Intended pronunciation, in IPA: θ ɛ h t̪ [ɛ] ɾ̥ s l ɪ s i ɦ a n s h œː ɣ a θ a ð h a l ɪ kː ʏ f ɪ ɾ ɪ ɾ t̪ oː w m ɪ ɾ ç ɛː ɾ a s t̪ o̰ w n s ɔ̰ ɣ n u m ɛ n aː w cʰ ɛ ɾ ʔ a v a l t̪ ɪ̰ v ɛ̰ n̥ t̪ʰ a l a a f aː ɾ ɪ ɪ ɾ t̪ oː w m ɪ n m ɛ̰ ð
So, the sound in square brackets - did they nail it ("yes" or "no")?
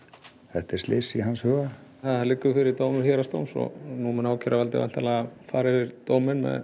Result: yes